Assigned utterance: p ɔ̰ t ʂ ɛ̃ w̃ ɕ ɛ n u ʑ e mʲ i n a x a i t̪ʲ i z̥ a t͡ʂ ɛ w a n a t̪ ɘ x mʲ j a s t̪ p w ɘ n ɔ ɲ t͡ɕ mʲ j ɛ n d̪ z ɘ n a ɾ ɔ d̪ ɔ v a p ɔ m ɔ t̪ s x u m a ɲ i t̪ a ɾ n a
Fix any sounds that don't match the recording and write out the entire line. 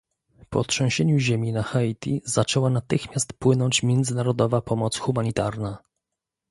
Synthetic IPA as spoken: p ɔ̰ t ʂ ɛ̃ w̃ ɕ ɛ ɲ u ʑ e mʲ i n a x a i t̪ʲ i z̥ a t͡ʂ ɛ w a n a t̪ ɘ x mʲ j a s t̪ p w ɘ n ɔ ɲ t͡ɕ mʲ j ɛ n d̪ z ɘ n a ɾ ɔ d̪ ɔ v a p ɔ m ɔ t̪ s x u m a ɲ i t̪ a ɾ n a